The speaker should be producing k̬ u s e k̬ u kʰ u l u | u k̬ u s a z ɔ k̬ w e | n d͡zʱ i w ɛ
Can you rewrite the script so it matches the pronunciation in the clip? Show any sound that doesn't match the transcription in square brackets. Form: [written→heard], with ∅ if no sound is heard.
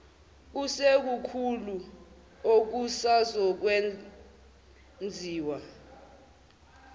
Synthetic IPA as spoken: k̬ u s e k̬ u kʰ u l u | [u→o] k̬ u s a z ɔ k̬ w e | n d͡zʱ [i→iː] w [ɛ→a]